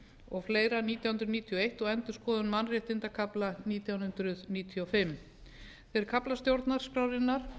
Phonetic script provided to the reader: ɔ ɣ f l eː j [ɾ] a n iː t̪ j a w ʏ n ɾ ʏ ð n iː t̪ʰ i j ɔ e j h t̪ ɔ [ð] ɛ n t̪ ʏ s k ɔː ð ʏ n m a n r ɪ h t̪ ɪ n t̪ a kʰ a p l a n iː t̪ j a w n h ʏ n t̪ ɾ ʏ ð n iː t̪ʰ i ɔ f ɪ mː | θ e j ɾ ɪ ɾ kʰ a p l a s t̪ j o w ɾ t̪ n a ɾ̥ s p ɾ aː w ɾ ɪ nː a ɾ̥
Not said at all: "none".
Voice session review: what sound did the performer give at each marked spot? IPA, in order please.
ɾ, ɣ

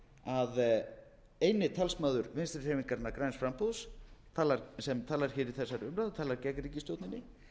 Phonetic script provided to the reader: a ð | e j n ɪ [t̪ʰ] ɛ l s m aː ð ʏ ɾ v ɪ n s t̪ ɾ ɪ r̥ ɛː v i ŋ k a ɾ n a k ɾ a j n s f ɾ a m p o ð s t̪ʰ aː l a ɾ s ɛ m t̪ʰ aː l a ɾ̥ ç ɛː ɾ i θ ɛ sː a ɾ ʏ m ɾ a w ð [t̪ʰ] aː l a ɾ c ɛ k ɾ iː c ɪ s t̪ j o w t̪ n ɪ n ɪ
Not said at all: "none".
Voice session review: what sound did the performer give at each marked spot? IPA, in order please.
t̪ʰ, t̪ʰ

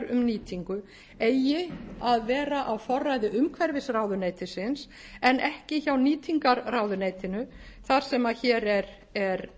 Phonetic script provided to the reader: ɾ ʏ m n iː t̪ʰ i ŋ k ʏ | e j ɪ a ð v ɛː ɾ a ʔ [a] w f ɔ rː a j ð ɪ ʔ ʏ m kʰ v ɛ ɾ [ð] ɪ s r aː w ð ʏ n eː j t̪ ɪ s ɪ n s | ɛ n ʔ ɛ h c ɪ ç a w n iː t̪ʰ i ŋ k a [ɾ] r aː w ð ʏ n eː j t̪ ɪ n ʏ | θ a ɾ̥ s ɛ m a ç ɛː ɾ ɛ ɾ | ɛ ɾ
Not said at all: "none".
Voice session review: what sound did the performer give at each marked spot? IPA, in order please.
a, v, ɾ

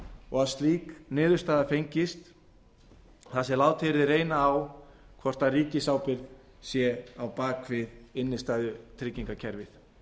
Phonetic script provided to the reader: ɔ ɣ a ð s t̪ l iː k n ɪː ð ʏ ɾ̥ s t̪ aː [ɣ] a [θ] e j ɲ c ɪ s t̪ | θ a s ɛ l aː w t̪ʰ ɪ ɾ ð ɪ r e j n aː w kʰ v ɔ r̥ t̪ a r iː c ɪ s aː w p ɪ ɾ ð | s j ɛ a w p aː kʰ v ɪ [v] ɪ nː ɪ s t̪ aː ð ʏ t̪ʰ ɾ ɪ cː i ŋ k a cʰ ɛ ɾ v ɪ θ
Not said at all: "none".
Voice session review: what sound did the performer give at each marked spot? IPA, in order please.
ð, f, ð

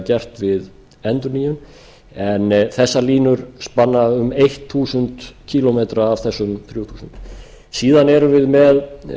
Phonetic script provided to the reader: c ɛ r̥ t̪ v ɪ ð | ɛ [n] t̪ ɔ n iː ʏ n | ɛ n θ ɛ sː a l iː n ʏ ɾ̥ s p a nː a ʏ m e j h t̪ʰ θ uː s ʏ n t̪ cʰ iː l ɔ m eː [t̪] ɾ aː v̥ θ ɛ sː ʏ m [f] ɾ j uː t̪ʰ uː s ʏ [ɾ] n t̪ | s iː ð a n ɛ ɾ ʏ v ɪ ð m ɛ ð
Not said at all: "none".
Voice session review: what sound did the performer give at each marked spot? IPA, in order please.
n, t̪, θ, none

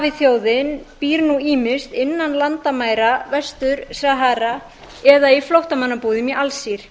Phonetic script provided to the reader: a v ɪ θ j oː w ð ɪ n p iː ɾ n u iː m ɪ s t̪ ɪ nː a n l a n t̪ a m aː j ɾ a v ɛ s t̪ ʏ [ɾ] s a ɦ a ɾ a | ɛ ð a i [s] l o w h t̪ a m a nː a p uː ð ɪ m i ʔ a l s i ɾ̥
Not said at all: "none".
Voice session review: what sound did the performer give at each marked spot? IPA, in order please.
ɾ, f

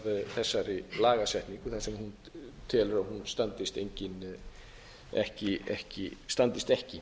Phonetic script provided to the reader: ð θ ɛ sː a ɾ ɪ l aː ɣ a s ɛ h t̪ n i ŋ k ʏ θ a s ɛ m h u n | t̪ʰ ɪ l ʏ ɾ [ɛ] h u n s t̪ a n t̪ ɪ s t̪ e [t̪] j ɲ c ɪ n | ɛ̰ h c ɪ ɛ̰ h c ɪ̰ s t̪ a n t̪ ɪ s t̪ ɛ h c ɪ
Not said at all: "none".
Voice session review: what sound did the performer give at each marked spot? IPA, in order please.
a, none

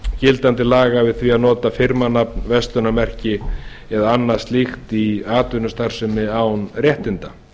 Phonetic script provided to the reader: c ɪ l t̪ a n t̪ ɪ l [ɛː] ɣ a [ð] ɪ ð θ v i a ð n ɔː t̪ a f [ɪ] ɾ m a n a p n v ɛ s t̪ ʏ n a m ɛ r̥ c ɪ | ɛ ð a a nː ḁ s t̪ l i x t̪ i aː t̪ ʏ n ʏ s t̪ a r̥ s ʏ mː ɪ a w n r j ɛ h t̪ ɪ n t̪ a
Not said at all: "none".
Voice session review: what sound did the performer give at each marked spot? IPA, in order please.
aː, v, ɪ

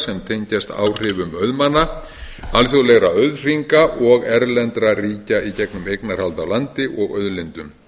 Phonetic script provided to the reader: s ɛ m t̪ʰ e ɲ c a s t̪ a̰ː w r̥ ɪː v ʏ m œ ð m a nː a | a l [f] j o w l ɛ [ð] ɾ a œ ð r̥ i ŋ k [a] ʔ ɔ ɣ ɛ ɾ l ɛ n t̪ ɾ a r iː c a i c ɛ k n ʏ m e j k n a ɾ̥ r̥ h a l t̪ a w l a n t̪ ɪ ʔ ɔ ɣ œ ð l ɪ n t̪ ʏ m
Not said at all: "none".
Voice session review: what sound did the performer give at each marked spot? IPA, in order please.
θ, ɣ, a

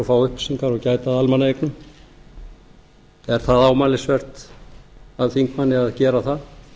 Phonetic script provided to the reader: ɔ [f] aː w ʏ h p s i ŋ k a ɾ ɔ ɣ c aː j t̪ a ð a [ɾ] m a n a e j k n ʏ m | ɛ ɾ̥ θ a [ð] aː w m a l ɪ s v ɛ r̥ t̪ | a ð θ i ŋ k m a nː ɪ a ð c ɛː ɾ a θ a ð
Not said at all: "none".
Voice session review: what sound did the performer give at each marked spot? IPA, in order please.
f, l, ð

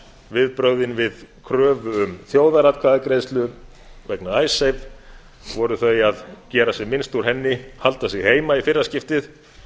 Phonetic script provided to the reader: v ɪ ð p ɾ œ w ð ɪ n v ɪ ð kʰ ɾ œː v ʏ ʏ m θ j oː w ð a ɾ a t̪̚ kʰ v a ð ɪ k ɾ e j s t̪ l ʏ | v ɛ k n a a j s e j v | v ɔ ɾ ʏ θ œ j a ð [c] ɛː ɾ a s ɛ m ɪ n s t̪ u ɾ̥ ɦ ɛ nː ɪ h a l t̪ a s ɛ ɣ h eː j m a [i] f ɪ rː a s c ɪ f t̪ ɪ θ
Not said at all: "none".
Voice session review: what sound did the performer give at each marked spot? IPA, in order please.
c, i

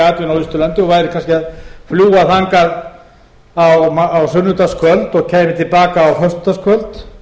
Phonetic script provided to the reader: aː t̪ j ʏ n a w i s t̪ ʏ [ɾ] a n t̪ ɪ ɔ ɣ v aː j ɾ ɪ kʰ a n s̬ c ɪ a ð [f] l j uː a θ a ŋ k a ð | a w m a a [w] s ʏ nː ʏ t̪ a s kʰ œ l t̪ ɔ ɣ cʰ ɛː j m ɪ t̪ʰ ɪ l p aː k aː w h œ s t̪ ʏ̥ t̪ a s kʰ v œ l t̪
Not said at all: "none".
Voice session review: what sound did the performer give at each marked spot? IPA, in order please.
l, f, w

